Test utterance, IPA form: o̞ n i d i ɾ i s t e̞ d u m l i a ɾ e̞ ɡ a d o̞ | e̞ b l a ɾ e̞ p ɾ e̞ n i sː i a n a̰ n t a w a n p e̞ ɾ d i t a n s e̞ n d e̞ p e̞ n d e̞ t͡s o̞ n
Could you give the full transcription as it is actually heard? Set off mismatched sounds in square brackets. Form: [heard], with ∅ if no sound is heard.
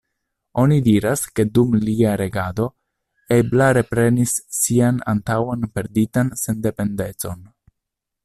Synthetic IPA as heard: o̞ n i d i ɾ [a] s [k] e̞ d u m l i a ɾ e̞ ɡ a d o̞ | e̞ b l a ɾ e̞ p ɾ e̞ n i sː i a n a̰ n t a w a n p e̞ ɾ d i t a n s e̞ n d e̞ p e̞ n d e̞ t͡s o̞ n